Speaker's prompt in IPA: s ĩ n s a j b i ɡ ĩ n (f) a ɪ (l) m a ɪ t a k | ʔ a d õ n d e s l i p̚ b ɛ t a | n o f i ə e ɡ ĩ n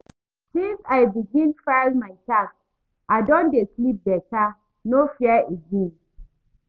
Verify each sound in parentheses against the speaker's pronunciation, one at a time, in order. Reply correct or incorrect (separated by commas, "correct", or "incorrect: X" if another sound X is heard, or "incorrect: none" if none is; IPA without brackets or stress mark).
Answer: correct, correct